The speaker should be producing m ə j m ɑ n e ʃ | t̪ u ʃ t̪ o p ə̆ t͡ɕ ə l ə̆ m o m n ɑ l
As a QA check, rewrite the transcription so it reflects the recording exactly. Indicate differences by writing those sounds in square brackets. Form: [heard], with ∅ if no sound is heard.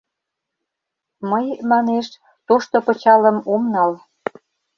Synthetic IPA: m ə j m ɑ n e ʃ | t̪ [o] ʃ t̪ o p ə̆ t͡ɕ [ɑ] l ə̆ m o m n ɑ l